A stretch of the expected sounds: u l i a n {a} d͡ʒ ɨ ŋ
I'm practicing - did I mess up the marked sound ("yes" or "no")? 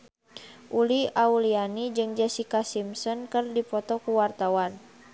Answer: yes